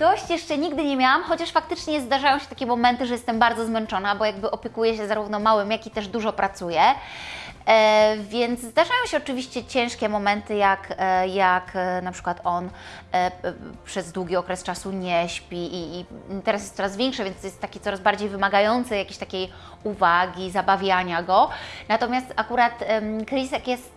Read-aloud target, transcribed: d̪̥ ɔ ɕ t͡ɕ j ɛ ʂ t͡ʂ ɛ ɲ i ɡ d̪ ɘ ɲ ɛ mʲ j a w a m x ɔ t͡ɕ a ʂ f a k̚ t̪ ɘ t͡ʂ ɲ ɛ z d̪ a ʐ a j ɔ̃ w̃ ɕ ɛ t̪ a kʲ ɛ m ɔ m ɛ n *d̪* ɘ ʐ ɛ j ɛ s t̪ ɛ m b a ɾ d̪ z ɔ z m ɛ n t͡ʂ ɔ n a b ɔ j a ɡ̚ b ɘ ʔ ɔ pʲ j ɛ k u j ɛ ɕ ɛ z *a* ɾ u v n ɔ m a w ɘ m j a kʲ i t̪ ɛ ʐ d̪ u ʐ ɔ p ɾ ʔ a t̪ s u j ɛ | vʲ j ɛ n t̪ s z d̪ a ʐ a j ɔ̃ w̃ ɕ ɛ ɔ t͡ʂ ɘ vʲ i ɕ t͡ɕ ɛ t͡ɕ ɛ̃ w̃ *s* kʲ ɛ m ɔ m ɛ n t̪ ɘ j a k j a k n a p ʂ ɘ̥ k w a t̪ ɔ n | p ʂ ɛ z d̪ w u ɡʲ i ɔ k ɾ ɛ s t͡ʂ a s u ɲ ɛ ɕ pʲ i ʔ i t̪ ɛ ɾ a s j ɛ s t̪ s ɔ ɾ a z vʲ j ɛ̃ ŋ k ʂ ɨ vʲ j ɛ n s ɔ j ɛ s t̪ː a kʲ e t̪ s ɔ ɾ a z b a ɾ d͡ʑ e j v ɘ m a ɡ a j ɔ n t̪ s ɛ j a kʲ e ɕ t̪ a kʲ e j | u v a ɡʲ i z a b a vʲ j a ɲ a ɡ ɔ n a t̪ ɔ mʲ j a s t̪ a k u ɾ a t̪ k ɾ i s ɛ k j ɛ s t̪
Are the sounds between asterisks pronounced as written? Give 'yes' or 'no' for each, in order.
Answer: no, yes, no

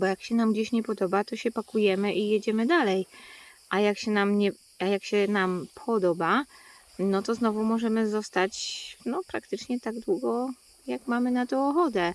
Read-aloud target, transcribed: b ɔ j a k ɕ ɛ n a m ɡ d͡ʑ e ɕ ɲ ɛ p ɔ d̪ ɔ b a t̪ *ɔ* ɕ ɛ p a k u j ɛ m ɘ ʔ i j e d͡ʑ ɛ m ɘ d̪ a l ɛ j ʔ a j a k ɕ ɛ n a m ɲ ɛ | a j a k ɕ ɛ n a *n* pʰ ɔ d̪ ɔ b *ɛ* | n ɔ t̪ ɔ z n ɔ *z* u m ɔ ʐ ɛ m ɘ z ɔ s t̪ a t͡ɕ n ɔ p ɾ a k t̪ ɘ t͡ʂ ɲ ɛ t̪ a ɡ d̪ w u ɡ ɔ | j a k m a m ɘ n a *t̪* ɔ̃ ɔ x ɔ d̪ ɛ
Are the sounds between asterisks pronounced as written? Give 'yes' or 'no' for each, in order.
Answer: yes, no, no, no, yes

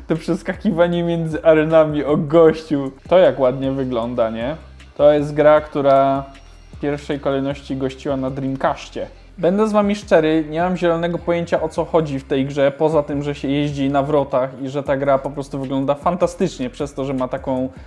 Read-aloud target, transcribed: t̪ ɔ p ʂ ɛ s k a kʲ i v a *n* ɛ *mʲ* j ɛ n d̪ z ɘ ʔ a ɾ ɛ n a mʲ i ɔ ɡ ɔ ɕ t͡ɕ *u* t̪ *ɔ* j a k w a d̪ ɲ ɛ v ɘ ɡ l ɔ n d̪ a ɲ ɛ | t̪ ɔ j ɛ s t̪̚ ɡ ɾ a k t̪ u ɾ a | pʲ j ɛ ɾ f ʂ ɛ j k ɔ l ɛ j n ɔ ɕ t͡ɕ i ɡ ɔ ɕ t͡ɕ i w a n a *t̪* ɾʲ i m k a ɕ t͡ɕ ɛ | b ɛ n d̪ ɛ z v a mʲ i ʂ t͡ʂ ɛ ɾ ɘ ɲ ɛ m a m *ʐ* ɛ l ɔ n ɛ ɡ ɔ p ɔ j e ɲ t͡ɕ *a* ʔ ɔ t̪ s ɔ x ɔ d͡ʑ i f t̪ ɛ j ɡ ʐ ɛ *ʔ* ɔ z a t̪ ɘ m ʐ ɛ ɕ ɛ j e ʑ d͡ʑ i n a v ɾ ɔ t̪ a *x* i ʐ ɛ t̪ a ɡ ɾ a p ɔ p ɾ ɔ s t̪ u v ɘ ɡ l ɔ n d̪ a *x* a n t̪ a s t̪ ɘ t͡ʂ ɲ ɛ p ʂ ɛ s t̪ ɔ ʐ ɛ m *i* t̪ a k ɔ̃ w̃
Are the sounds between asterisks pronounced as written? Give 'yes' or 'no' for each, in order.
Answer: no, yes, yes, yes, no, no, yes, no, yes, no, no

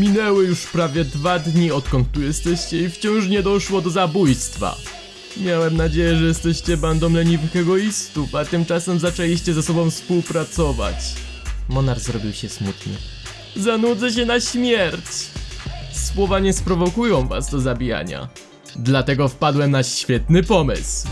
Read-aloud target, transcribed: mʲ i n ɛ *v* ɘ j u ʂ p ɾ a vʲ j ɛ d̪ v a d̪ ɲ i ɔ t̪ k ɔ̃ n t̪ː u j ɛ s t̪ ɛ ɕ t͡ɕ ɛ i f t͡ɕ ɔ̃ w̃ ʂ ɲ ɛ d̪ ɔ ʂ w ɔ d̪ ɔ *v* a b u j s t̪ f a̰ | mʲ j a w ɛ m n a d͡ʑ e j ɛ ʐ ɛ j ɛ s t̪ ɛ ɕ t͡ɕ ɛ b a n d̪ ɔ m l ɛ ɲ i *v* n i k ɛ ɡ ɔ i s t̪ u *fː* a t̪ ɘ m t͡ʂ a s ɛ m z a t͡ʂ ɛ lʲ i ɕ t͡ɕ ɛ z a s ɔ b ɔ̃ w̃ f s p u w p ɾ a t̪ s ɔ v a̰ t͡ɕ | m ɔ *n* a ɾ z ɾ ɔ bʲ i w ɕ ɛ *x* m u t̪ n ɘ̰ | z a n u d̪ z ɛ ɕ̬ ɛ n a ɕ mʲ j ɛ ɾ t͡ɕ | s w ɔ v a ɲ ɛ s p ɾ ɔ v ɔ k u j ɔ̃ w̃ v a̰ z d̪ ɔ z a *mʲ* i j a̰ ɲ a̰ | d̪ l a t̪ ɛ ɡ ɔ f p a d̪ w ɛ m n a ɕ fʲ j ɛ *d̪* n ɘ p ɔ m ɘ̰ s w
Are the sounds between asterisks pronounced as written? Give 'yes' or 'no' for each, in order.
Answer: no, no, yes, no, yes, no, no, no

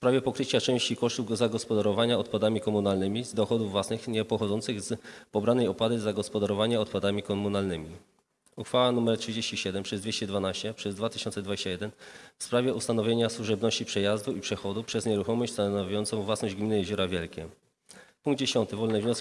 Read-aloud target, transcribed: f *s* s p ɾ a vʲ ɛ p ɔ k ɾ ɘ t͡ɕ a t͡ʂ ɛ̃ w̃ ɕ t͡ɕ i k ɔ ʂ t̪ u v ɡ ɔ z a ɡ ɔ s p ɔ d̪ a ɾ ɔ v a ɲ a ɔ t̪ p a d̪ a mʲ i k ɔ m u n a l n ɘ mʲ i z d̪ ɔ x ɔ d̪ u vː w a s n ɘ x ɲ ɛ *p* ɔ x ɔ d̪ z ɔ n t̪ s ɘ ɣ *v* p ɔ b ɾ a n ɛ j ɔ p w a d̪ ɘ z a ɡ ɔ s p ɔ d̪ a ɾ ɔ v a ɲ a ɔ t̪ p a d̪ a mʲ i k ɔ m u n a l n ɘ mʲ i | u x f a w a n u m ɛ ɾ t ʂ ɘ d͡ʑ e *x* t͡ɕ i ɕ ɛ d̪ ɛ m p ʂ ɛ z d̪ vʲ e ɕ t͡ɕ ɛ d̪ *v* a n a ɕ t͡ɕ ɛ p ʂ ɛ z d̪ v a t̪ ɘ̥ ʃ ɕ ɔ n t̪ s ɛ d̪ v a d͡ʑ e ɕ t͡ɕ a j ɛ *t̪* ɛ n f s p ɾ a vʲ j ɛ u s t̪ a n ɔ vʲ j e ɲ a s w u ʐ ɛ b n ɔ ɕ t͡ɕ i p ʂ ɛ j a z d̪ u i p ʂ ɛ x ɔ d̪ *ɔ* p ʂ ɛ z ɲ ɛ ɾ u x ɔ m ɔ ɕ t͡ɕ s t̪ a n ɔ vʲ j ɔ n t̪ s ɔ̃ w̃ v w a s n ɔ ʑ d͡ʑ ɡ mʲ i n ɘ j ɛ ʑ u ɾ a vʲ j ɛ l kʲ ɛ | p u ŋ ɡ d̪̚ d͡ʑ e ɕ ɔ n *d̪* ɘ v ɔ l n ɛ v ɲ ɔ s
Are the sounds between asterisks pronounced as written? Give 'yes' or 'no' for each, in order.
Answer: yes, yes, no, no, yes, no, no, no

